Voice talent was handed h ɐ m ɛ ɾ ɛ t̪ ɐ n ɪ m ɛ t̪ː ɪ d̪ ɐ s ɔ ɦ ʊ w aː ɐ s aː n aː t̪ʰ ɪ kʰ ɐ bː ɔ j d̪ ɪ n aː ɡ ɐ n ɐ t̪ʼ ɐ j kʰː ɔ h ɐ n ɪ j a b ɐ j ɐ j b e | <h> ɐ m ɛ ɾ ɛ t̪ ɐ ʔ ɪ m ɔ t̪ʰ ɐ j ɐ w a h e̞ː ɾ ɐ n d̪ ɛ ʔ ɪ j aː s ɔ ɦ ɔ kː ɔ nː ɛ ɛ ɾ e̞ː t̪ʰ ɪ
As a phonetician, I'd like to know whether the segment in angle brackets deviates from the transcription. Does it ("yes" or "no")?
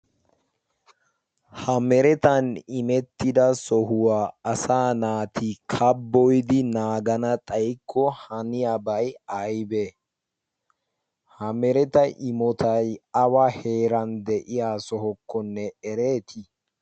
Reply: no